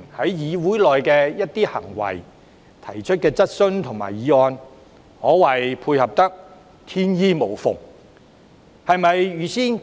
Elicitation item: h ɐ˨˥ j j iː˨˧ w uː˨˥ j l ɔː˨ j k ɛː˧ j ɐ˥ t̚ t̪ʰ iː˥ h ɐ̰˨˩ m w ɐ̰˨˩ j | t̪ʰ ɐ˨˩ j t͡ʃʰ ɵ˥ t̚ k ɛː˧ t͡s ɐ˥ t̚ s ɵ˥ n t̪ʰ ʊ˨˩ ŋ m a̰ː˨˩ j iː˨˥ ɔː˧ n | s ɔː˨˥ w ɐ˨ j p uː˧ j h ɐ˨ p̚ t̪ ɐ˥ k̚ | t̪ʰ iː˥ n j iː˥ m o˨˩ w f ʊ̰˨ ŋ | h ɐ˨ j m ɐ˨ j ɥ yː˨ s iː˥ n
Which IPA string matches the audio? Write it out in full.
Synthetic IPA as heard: h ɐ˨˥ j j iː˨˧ w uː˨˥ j l ɔː˨ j k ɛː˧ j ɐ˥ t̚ t̪ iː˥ h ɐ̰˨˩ ŋ w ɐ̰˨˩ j | t̪ʰ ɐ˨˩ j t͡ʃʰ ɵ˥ t̚ k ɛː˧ t͡s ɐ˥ t̚ s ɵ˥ n t̪ʰ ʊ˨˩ ŋ m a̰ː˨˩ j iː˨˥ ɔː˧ n | h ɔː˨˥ w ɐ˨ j pʰ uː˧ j h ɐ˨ p̚ t̪ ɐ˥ k̚ | t̪ʰ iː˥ n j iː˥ m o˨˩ w f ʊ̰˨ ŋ | h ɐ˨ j m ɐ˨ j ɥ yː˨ s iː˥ n